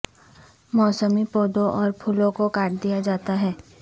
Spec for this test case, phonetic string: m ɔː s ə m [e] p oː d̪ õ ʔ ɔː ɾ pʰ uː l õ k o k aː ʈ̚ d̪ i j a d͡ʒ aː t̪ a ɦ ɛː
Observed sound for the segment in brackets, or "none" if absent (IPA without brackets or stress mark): i